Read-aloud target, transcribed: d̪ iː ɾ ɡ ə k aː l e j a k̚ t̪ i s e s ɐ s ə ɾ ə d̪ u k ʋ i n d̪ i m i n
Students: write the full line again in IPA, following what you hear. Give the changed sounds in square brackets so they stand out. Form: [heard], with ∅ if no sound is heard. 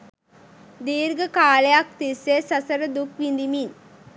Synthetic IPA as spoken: d̪ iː ɾ ɡ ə k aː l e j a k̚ t̪ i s e s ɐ s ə ɾ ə d̪ u k ʋ i n d̪ i m i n